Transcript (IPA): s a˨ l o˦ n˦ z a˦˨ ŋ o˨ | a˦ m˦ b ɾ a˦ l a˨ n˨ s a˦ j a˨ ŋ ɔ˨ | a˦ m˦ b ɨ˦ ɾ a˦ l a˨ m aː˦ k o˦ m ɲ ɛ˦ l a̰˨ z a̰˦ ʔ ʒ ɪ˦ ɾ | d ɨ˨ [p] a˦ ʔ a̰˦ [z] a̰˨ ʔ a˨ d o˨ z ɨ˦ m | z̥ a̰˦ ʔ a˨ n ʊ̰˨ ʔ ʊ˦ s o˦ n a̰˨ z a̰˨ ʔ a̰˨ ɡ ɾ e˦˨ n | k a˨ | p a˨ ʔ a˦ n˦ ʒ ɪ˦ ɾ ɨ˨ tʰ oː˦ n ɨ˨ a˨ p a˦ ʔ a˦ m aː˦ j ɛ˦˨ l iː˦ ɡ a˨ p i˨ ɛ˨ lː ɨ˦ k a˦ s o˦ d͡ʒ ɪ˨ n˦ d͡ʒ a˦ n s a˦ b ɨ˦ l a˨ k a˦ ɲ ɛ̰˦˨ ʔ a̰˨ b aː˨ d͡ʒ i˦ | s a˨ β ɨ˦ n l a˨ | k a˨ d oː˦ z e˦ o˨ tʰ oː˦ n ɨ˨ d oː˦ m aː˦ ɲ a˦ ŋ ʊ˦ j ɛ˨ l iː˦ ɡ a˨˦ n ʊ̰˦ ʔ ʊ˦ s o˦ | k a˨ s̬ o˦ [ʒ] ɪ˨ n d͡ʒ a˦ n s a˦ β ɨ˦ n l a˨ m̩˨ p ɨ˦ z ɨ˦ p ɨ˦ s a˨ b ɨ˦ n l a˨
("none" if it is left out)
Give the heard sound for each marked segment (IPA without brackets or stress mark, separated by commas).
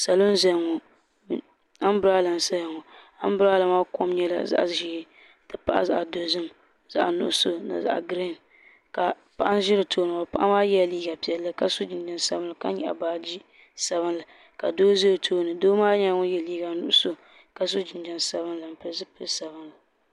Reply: p, z, d͡ʒ